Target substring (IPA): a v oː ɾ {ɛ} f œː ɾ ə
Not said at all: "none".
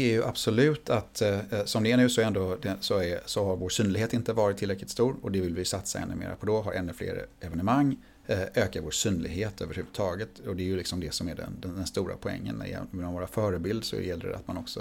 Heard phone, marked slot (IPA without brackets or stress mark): a